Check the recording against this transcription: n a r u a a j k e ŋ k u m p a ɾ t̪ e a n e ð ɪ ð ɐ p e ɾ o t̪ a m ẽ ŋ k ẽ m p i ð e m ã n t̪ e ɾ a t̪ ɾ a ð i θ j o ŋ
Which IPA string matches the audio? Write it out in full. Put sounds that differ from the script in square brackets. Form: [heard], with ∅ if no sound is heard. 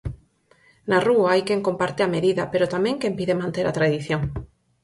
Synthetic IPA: n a r u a a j k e ŋ k [o] m p a ɾ t̪ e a [m] e ð [i] ð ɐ p e ɾ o t̪ a m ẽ ŋ k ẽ m p i ð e m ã n t̪ e ɾ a t̪ ɾ a ð i θ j o ŋ